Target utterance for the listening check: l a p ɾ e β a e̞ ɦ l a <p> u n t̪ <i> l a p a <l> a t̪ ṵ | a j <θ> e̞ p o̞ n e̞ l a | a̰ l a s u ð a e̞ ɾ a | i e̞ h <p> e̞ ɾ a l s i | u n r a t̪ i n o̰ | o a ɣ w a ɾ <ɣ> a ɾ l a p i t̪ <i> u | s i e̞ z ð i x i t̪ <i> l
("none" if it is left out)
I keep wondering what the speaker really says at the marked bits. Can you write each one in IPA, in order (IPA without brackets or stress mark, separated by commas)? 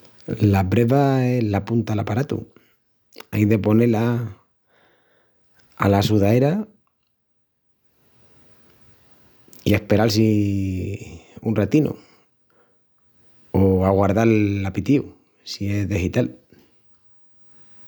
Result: p, a, ɾ, ð, p, ð, i, a